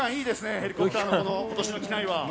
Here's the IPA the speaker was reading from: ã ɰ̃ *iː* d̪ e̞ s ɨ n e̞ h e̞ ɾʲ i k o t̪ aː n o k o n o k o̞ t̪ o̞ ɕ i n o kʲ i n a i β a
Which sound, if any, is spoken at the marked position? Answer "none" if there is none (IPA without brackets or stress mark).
iː